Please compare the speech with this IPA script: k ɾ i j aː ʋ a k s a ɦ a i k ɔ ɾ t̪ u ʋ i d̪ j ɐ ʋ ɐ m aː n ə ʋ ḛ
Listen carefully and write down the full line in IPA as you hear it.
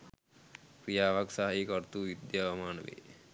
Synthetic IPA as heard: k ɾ i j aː ʋ a k s a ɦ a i k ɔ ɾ t̪ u ʋ i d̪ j a ʋ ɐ m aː n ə ʋ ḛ